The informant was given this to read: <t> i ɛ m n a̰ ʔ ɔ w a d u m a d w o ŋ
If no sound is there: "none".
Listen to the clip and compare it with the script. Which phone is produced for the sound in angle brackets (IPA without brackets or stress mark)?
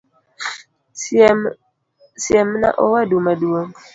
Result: s